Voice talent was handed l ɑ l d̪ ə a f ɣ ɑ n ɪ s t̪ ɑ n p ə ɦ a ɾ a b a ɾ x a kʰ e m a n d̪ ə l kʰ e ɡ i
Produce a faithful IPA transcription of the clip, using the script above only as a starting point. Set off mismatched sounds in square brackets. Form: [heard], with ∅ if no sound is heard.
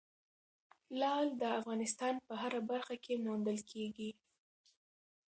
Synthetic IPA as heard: l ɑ l d̪ ə a f ɣ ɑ n ɪ s t̪ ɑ n p ə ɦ a ɾ a b a ɾ x a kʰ e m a n d̪ ə l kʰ e ɡ i

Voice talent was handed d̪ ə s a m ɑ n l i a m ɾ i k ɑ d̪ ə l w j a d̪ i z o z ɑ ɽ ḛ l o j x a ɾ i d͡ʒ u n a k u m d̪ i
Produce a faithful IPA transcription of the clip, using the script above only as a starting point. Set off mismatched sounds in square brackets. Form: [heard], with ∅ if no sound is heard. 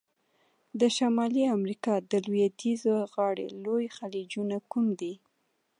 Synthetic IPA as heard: d̪ ə [ʃ] a m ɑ [∅] l i a m ɾ i k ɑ d̪ ə l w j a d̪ i z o [ɣ] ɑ ɽ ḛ l o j x a [l] i d͡ʒ u n a k u m d̪ i

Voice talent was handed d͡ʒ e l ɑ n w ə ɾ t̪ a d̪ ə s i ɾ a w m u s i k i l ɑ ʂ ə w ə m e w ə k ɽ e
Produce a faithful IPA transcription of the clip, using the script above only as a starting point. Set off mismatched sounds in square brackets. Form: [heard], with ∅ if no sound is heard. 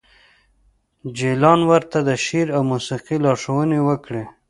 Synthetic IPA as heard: d͡ʒ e l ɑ n w ə ɾ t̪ a d̪ ə [ʃ] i ɾ a w m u s i [q] i l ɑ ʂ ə w ə [n] e w ə k ɽ e

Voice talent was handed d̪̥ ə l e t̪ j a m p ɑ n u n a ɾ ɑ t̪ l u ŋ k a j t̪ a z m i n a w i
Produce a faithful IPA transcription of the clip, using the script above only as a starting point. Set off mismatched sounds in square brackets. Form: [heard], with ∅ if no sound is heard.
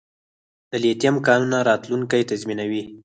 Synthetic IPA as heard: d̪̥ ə l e t̪ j a m [k] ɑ n u n a ɾ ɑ t̪ l u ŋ k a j t̪ a z m i n a w i

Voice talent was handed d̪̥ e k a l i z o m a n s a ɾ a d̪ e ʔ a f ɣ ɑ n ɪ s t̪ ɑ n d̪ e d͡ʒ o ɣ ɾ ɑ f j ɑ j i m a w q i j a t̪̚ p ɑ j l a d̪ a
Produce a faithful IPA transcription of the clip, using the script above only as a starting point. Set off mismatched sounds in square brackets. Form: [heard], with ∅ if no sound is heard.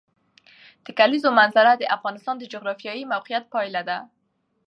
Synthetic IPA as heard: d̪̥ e k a l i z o m a n [z] a ɾ a d̪ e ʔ a f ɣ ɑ n ɪ s t̪ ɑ n d̪ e d͡ʒ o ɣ ɾ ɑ f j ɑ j i m a w q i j a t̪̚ p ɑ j l a d̪ a

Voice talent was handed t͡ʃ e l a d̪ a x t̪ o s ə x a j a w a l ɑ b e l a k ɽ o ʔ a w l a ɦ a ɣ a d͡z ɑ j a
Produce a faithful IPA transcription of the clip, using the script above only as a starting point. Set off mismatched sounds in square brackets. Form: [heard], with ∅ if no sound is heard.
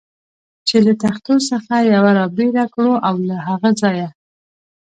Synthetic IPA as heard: t͡ʃ e l a [t̪] a x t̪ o s ə x a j a w a [ɾ] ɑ b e [ɾ] a k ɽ o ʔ a w l a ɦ a ɣ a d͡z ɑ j a

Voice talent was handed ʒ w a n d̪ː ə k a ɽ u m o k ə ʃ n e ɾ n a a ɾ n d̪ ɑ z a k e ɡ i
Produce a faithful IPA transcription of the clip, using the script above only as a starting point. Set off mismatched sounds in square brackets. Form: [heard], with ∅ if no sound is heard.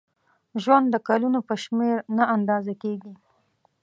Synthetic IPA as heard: ʒ w a n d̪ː ə k a [l] u [n] o [p] ə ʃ [m] e ɾ n a a [∅] n d̪ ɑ z a k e ɡ i

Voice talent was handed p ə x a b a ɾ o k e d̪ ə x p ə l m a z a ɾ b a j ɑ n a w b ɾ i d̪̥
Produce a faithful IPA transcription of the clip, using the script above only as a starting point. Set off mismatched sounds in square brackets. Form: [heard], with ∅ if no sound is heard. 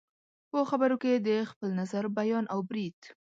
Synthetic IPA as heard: p ə x a b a ɾ o k e d̪ ə x p ə l [n] a z a ɾ b a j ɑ n a w b ɾ i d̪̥

